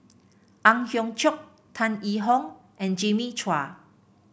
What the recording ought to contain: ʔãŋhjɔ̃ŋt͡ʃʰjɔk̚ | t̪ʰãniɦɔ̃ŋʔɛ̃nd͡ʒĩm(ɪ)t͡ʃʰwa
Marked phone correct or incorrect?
incorrect